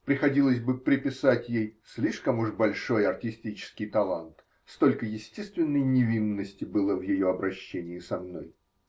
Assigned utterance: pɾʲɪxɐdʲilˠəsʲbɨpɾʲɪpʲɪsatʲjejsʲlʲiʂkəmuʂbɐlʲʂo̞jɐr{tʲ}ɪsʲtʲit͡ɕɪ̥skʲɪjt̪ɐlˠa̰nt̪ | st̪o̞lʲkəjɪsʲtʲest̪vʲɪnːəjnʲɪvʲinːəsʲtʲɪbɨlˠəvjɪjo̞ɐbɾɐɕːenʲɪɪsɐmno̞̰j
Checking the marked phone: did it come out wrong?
no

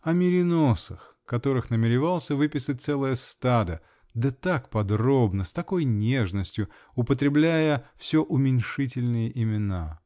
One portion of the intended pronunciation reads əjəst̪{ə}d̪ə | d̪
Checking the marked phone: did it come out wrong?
yes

